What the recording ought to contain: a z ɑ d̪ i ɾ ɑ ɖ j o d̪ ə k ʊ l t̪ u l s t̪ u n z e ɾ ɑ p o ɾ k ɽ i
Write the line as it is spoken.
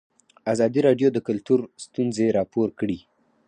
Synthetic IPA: a z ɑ d̪ i ɾ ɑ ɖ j o d̪ ə k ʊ l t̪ u ɾ s t̪ u n z e ɾ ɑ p o ɾ k ɽ i